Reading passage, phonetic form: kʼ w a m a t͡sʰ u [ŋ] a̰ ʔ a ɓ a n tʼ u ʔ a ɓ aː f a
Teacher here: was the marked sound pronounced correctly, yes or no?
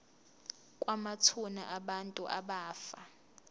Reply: no